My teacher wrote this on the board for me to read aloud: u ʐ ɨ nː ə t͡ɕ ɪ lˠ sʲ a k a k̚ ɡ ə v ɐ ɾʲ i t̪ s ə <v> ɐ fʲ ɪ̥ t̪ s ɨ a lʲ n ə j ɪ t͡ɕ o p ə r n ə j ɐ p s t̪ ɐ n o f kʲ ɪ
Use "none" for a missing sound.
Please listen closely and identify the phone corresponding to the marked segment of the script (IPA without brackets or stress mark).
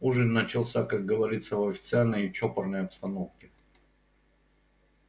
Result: v